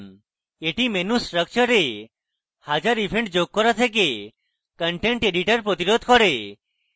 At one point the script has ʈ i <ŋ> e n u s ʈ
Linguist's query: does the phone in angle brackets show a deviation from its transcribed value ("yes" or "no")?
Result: yes